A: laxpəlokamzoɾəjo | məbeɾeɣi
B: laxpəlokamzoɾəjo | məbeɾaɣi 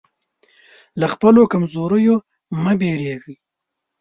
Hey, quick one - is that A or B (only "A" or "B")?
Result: A